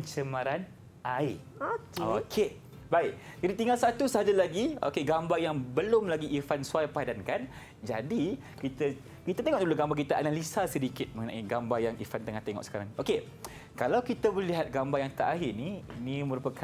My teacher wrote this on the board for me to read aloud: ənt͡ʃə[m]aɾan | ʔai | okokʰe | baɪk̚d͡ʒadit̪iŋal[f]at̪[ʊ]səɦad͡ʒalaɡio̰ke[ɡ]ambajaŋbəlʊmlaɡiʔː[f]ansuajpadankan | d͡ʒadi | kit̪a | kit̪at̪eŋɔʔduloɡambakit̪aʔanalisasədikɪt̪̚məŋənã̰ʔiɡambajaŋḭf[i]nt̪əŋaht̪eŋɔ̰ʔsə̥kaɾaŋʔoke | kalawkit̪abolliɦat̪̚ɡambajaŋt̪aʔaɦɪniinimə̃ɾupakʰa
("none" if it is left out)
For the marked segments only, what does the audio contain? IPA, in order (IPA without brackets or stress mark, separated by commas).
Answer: m, s, u, ɡ, f, a